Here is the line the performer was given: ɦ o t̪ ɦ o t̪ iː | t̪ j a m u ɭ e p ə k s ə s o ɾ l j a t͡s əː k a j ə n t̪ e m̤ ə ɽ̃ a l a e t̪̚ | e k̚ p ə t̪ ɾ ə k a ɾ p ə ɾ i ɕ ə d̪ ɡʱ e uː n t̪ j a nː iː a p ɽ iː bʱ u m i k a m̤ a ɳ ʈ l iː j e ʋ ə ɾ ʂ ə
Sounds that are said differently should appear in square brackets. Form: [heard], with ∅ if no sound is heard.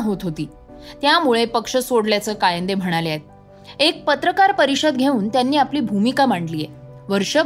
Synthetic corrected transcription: ɦ o t̪ ɦ o t̪ iː | t̪ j a m u ɭ e p ə k [ʂ] ə s o [ɽ] l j a t͡s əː k a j ə n [d̪] e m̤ ə ɽ̃ a l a e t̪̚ | e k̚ p ə t̪ ɾ ə k a ɾ p ə ɾ i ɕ ə d̪ ɡʱ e uː n t̪ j a nː iː a p [l] iː bʱ u m i k a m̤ a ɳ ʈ l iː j e ʋ ə ɾ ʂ ə